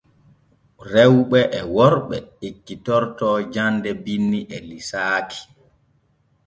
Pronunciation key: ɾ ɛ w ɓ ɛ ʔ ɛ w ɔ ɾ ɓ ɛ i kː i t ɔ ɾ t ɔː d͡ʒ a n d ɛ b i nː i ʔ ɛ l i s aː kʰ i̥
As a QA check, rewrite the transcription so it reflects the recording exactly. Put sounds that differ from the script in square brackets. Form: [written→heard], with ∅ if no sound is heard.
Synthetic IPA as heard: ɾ ɛ w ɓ ɛ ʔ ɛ w ɔ ɾ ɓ ɛ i kː i t ɔ ɾ t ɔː d͡ʒ a n d ɛ b i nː i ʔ ɛ l i s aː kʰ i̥

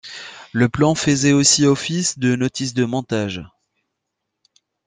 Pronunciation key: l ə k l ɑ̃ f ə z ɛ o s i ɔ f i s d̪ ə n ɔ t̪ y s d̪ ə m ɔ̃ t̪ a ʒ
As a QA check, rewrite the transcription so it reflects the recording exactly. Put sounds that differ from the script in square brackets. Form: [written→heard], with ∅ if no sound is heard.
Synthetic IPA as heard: l ə [k→p] l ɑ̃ f ə z ɛ o s i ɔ f i s d̪ ə n ɔ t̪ [y→i] s d̪ ə m ɔ̃ t̪ a ʒ

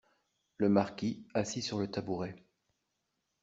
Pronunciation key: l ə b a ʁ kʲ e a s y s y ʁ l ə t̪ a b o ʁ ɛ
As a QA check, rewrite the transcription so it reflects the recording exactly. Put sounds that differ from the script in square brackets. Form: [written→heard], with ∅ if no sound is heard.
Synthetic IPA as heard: l ə [b→m] a ʁ kʲ [e→i] a s [y→i] s y ʁ l ə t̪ a b [o→u] ʁ ɛ

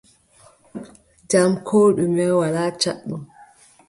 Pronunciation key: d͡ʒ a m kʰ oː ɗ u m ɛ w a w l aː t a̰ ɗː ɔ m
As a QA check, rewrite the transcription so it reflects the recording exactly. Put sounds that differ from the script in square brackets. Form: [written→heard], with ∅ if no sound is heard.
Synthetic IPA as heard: d͡ʒ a m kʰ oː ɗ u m ɛ w a [w→∅] l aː [t→t͡ʃ] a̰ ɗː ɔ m

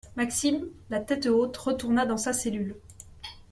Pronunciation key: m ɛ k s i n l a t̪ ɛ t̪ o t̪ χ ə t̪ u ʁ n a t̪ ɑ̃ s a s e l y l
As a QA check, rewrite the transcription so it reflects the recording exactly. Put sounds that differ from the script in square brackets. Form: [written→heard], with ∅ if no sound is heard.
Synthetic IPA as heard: m [ɛ→a] k s i [n→m] l a t̪ ɛ t̪ o t̪ [χ→ʁ] ə t̪ u ʁ n a [t̪→d̪] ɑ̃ s a s e l y l

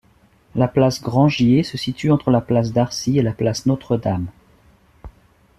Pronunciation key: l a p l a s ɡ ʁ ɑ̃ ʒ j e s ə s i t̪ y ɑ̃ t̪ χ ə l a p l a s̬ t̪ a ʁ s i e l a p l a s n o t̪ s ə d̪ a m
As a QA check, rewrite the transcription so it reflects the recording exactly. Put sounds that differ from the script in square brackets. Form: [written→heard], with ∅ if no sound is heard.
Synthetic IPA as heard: l a p l a s ɡ ʁ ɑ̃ ʒ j e s ə s i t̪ y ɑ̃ t̪ χ ə l a p l a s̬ [t̪→d̪] a ʁ s i e l a p l a s n o t̪ [s→χ] ə d̪ a m

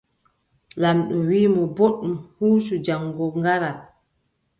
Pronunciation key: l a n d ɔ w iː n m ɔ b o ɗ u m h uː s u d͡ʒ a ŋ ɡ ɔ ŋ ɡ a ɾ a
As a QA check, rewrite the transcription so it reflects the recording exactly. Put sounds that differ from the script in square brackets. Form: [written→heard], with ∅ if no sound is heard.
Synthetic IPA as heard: l a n [d→ɗ] ɔ w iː [n→∅] m ɔ b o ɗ u m h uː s u d͡ʒ a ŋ ɡ ɔ ŋ ɡ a ɾ a

